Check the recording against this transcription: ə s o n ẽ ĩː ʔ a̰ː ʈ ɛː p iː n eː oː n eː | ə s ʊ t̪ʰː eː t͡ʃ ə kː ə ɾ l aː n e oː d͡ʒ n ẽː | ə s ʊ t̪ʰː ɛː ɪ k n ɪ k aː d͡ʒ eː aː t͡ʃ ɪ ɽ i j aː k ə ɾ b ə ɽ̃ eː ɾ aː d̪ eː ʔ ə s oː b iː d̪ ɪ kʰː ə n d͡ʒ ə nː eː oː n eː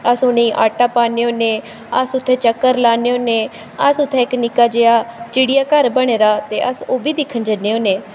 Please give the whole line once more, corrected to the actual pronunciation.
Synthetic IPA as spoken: ə s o n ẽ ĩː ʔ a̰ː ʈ aː p aː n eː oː n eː | ə s ʊ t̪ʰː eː t͡ʃ ə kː ə ɾ l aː n e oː n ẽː | ə s ʊ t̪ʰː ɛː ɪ k n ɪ k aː d͡ʒ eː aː t͡ʃ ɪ ɽ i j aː k ə ɾ b ə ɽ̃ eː ɾ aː t̪ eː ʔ ə s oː b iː d̪ ɪ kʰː ə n d͡ʒ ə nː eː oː n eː

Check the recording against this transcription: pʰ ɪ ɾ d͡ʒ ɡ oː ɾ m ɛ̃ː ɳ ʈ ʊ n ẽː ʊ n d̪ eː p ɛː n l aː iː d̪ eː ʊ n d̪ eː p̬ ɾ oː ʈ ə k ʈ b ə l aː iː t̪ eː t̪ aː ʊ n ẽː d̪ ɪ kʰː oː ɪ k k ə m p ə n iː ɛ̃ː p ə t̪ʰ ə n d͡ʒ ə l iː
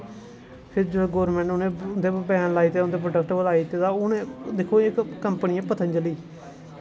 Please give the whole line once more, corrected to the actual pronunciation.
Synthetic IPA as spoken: pʰ ɪ ɾ d͡ʒ ɡ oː ɾ m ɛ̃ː ɳ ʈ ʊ n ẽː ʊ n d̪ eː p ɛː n l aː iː t̪ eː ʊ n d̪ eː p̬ ɾ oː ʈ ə k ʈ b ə l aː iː t̪ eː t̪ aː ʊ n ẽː d̪ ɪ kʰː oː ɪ k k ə m p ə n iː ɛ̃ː p ə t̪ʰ ə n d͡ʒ ə l iː

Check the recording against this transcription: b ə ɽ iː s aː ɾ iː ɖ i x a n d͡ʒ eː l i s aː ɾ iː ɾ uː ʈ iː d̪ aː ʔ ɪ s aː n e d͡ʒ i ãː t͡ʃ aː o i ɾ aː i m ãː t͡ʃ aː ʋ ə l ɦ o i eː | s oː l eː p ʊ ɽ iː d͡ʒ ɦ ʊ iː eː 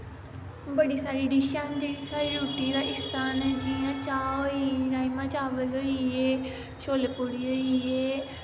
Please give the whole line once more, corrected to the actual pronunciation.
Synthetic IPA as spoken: b ə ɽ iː s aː ɾ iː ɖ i ʃ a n d͡ʒ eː ɽ i s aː ɾ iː ɾ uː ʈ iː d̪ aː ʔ ɪ s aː n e d͡ʒ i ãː t͡ʃ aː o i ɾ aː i m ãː t͡ʃ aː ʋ ə l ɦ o i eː | ʃ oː l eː p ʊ ɽ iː ɦ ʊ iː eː

